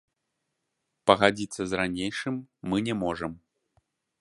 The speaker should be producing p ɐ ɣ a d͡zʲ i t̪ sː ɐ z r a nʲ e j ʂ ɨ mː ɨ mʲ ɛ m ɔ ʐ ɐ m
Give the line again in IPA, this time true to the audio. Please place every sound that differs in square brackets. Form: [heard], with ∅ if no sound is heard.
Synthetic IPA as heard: p ɐ ɣ a d͡zʲ i t̪ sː ɐ z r a nʲ e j ʂ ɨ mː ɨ [nʲ] ɛ m ɔ ʐ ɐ m